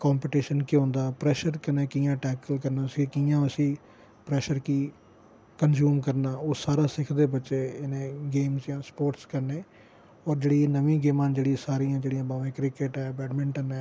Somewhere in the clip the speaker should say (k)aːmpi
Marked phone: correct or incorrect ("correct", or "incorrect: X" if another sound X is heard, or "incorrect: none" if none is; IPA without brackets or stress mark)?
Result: correct